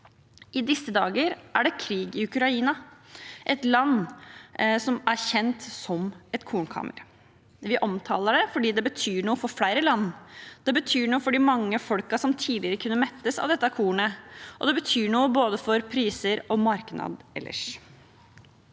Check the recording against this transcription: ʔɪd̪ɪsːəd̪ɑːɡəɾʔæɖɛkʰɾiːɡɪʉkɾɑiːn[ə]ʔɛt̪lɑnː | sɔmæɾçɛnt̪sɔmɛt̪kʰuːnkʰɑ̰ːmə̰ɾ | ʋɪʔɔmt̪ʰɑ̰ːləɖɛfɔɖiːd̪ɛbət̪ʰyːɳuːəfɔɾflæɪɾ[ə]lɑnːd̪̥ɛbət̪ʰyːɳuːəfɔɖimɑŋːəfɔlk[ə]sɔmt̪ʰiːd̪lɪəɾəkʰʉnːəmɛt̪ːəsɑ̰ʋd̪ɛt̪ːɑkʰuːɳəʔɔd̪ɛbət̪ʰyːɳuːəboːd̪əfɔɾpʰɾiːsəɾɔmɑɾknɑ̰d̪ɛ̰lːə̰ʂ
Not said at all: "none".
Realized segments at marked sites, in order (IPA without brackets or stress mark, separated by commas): ɑ, ə, ɑ